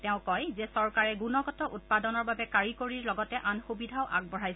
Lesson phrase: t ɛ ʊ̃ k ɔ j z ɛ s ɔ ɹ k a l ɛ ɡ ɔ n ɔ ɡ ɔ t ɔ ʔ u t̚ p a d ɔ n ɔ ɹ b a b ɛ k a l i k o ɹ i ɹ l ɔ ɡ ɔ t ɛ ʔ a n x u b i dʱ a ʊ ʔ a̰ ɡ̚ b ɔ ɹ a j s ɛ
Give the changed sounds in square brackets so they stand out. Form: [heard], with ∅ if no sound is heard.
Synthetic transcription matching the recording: t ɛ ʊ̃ k ɔ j z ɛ s ɔ ɹ k a [ɹ] ɛ ɡ [u] n ɔ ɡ ɔ t ɔ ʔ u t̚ p a d ɔ n ɔ ɹ b a b ɛ k a [ɹ] i k o ɹ i ɹ l ɔ ɡ ɔ t ɛ ʔ a n x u b i dʱ a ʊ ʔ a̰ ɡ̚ b ɔ ɹ a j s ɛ